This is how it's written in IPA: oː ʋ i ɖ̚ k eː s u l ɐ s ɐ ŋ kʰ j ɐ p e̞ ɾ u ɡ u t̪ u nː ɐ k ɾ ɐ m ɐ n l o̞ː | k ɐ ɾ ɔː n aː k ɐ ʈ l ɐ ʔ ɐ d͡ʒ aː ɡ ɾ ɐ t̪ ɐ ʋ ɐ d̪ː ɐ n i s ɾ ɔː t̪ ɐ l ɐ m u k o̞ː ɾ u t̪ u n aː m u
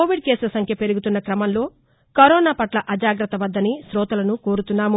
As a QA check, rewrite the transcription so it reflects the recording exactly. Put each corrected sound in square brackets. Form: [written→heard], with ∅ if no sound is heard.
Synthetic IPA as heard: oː ʋ i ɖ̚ k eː s u l ɐ s ɐ ŋ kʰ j ɐ p e̞ ɾ u ɡ u t̪ u nː ɐ k ɾ ɐ m ɐ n l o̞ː | k ɐ ɾ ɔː n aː [k→p] ɐ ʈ l ɐ ʔ ɐ d͡ʒ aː ɡ ɾ ɐ t̪ ɐ ʋ ɐ d̪ː ɐ n i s ɾ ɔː t̪ ɐ l ɐ [m→n] u k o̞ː ɾ u t̪ u [n→nː] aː m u